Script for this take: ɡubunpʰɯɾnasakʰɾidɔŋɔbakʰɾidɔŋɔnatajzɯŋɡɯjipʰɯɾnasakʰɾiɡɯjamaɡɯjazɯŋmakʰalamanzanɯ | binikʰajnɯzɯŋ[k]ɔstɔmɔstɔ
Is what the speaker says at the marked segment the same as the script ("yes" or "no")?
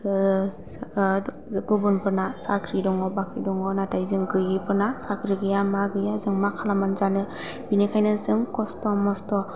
yes